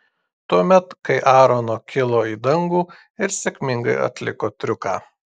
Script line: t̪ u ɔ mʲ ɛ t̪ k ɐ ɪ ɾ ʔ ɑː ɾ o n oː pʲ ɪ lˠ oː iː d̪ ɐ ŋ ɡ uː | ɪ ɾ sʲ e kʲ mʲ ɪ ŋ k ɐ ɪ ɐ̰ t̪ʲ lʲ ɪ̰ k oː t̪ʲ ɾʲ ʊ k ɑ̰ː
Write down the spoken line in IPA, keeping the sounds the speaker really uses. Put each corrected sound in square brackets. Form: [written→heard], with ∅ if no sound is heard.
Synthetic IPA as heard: t̪ u ɔ mʲ ɛ t̪ k ɐ ɪ [ɾ→∅] ʔ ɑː ɾ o n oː [pʲ→kʲ] ɪ lˠ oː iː d̪ ɐ ŋ ɡ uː | ɪ ɾ sʲ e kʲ mʲ ɪ ŋ [k→ɡ] ɐ ɪ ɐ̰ t̪ʲ lʲ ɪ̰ k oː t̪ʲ ɾʲ ʊ k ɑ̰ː